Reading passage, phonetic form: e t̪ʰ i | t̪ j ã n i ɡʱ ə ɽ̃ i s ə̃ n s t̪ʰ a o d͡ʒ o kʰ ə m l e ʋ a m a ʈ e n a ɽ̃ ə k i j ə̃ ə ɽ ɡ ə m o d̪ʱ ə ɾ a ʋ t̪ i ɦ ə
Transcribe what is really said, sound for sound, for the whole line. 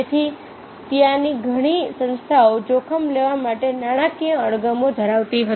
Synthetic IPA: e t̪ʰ i | t̪ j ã n i ɡʱ ə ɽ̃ i s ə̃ n s t̪ʰ a o d͡ʒ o kʰ ə m l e ʋ a m a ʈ e n a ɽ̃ a k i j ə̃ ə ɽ ɡ ə m o d̪ʱ ə ɾ a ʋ t̪ i ɦ ə